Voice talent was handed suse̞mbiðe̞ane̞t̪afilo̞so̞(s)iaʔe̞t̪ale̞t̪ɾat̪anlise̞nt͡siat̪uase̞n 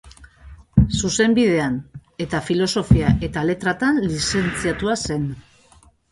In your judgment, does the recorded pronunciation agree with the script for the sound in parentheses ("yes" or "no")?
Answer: no